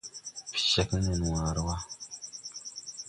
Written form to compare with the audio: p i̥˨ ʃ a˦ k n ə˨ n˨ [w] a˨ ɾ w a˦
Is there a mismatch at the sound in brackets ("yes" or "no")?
no